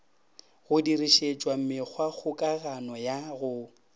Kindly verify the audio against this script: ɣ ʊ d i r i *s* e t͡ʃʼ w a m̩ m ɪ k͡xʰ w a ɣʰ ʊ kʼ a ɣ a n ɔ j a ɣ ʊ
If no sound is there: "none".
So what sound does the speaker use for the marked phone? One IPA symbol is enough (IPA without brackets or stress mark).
ʃ